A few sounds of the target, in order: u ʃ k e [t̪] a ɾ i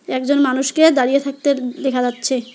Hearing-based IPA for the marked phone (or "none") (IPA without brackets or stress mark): d̪